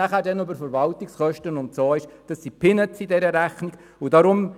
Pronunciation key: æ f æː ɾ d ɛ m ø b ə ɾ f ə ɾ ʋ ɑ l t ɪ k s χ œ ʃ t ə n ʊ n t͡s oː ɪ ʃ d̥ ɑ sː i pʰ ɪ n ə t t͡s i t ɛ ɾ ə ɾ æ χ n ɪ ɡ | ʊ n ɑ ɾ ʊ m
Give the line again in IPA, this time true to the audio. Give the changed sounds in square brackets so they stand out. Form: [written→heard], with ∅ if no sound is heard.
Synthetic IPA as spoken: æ [f→χ] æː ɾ d ɛ [m→n] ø b ə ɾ f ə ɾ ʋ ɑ l t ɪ k s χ œ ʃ t ə n ʊ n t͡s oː ɪ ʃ d̥ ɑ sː i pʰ ɪ n ə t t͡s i [t→d] ɛ ɾ ə ɾ æ χ n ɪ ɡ | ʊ [n→d] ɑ ɾ ʊ m